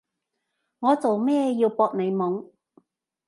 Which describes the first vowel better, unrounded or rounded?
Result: rounded